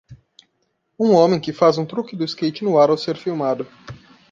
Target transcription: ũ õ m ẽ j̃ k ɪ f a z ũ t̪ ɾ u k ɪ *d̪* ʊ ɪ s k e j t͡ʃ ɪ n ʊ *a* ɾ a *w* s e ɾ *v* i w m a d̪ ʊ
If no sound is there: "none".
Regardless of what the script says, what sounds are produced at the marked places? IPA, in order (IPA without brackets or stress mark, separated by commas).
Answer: d̪, a, w, f